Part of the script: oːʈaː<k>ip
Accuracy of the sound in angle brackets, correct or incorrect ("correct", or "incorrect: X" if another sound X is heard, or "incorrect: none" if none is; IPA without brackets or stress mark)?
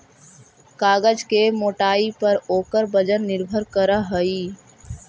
incorrect: none